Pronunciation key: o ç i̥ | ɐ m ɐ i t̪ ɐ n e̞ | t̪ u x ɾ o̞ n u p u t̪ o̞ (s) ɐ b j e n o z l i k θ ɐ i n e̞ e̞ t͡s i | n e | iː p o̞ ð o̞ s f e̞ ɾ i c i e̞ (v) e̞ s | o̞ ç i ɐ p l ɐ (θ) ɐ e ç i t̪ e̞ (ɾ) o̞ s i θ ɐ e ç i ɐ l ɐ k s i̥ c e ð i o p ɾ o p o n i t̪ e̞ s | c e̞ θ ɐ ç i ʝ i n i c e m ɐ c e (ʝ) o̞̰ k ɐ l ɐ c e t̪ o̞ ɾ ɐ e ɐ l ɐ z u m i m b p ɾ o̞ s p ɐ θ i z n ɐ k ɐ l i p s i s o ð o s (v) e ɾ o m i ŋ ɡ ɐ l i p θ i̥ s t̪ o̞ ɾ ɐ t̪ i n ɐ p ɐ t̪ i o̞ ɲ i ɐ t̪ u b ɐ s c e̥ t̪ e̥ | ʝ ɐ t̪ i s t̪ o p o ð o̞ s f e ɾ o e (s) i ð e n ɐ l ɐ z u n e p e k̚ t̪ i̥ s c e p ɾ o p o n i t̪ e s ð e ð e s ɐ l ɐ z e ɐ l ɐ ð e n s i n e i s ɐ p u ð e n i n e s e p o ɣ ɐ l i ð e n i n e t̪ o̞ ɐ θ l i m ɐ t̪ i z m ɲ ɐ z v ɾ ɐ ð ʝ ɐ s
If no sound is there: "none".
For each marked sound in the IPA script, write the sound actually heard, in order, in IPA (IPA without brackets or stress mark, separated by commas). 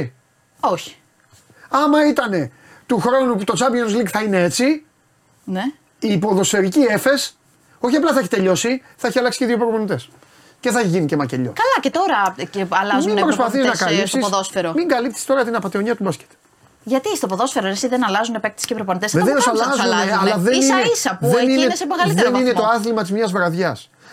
t͡s, f, θ, ʎ, ʎ, f, s